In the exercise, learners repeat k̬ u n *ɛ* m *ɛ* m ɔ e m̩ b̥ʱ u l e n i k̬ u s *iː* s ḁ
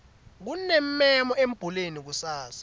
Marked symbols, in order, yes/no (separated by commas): yes, yes, no